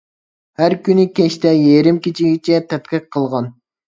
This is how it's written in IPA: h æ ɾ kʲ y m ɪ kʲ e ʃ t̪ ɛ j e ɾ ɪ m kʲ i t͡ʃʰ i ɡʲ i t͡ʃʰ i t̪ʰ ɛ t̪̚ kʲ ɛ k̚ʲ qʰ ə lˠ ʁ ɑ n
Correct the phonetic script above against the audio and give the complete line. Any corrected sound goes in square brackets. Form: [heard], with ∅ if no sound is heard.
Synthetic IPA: h æ ɾ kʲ y [n] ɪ kʲ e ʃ t̪ ɛ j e ɾ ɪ m kʲ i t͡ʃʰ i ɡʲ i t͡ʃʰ [ɛ] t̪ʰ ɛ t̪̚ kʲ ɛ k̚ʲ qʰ ə lˠ ʁ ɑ n